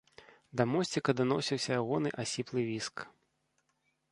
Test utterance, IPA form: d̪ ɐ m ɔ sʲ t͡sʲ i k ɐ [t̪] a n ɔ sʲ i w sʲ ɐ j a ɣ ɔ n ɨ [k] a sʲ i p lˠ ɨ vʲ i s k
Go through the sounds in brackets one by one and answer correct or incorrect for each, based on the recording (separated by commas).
incorrect, incorrect